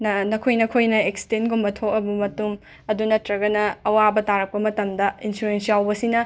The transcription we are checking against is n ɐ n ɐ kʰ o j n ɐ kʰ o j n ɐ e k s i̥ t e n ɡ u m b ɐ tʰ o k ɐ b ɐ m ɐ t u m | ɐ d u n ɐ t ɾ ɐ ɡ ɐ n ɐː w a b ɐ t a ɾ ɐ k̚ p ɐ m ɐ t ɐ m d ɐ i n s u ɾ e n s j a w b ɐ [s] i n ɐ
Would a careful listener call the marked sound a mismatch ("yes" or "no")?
no